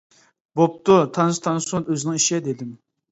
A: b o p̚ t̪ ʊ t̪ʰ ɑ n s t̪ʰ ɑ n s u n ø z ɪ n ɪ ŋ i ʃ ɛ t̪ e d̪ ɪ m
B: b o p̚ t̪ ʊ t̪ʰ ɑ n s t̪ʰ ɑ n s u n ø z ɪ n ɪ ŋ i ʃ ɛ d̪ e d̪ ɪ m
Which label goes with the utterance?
B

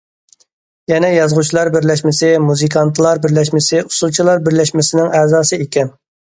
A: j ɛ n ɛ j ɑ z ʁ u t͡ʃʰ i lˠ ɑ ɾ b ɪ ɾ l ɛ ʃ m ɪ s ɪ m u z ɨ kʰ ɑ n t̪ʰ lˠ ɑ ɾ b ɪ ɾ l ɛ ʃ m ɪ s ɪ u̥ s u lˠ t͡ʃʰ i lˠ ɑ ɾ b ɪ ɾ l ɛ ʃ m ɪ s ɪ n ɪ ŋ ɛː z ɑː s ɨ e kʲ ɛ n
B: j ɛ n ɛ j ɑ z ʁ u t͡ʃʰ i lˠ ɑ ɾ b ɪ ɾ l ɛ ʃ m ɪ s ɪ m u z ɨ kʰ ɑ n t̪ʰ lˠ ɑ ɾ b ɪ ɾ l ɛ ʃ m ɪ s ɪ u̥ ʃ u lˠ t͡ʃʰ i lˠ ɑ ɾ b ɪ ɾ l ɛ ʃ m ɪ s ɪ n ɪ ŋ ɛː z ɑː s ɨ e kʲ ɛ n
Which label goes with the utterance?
A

